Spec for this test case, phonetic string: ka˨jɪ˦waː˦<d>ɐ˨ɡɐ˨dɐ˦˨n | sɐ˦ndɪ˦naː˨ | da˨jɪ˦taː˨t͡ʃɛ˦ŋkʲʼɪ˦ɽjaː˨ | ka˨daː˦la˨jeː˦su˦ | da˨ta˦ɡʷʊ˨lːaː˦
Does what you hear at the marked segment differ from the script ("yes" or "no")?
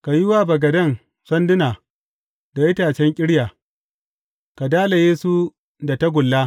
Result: yes